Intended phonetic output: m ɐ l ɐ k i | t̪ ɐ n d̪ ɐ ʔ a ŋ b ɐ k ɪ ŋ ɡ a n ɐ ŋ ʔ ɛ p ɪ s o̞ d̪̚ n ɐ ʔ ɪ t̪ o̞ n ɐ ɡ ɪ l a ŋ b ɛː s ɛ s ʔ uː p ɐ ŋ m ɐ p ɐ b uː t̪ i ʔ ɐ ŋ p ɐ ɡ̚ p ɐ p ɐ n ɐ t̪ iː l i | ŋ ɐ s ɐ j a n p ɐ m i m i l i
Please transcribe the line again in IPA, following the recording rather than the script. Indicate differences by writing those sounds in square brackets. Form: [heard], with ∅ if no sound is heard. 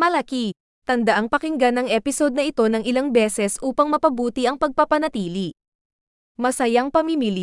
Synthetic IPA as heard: m ɐ l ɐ k i | t̪ ɐ n d̪ ɐ ʔ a ŋ [p] ɐ k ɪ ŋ ɡ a n ɐ ŋ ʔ ɛ p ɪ s o̞ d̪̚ n ɐ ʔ ɪ t̪ o̞ n ɐ [ŋ] ɪ l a ŋ b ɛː s ɛ s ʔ uː p ɐ ŋ m ɐ p ɐ b uː t̪ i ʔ ɐ ŋ p ɐ ɡ̚ p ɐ p ɐ n ɐ t̪ iː l i | [m] ɐ s ɐ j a [ŋ] p ɐ m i m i l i